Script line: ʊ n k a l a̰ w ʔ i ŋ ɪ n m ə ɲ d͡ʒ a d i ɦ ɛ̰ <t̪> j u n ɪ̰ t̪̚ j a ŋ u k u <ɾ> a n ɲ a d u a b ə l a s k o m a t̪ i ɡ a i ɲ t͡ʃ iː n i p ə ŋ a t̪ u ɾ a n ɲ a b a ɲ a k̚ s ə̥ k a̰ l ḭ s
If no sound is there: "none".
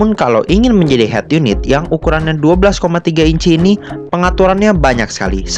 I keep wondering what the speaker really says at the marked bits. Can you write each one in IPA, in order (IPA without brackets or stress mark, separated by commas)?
t̪, ɾ